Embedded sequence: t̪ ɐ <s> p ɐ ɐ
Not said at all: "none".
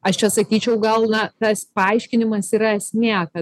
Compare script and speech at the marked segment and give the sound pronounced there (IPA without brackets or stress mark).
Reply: s